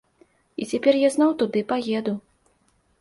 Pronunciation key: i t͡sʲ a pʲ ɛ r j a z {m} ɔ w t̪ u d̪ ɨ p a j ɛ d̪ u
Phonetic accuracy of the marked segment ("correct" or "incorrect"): incorrect